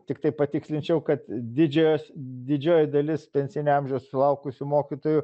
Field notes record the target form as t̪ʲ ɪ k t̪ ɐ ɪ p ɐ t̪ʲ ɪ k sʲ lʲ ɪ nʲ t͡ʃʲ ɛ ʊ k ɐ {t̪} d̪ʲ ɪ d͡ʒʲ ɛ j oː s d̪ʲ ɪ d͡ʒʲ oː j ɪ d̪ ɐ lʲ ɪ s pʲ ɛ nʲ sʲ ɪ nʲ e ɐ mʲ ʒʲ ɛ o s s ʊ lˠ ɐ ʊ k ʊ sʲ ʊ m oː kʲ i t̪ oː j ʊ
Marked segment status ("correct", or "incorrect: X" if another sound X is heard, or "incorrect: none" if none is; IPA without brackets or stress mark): correct